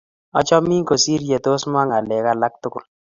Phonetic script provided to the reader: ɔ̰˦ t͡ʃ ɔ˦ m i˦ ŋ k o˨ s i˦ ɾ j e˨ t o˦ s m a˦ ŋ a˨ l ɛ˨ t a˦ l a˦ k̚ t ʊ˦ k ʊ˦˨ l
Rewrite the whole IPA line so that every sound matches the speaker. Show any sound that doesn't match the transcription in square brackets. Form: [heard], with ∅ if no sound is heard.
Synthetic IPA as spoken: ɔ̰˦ t͡ʃ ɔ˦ m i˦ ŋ k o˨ s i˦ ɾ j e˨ t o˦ s m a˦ ŋ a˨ l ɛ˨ [k] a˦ l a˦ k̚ t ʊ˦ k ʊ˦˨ l